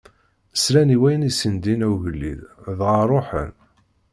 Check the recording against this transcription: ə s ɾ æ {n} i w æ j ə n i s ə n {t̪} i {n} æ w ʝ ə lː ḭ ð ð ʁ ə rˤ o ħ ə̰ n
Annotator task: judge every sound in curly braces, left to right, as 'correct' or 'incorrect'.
correct, incorrect: d̪, correct

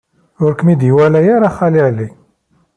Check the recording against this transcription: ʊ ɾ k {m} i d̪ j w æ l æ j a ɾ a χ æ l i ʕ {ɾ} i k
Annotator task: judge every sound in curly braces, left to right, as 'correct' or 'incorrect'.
correct, incorrect: l

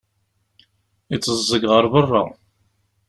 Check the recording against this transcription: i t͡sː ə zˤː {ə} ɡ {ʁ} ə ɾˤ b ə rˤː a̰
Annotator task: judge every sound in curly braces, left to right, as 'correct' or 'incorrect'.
correct, correct

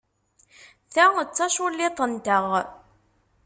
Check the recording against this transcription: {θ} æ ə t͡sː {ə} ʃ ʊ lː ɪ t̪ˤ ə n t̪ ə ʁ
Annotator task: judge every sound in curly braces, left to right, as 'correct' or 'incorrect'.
correct, incorrect: ɑ

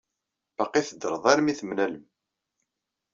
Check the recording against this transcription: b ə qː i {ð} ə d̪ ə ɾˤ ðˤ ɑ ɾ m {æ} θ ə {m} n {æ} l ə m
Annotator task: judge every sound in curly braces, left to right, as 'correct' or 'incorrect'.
incorrect: θ, incorrect: i, correct, correct

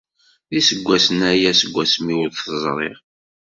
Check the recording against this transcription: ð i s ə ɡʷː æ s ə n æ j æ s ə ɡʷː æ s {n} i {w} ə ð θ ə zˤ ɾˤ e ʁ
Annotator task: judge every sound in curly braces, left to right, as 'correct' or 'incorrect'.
incorrect: m, correct

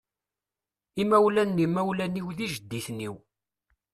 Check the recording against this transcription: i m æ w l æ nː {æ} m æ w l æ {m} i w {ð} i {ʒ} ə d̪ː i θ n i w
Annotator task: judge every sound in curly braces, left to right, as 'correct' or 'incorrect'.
incorrect: i, incorrect: n, correct, correct

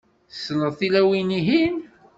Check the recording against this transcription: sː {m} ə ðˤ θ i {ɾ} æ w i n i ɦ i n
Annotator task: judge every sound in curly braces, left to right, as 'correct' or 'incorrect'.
incorrect: n, incorrect: l

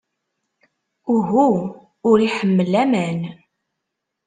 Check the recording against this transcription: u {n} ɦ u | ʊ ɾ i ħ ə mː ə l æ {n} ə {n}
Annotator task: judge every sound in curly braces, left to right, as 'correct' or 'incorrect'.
incorrect: none, incorrect: m, correct

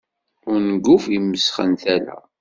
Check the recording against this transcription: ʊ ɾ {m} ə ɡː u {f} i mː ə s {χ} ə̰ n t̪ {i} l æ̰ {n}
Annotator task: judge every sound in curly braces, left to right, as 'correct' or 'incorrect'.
incorrect: n, correct, correct, incorrect: æ, incorrect: none

